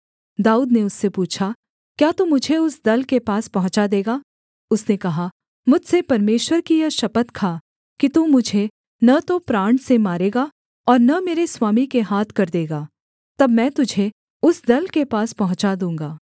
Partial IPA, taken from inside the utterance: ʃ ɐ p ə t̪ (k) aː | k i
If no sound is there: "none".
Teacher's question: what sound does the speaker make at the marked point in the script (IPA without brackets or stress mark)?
kʰ